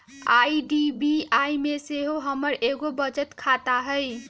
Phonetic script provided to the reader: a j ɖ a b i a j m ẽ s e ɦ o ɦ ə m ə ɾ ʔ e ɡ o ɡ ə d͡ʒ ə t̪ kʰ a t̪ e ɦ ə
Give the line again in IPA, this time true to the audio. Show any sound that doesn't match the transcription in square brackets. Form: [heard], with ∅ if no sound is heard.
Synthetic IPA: a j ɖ [i] b i a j m [e] s e ɦ o ɦ ə m ə ɾ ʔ e ɡ o [b] ə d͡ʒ ə t̪ kʰ a t̪ [a] ɦ ə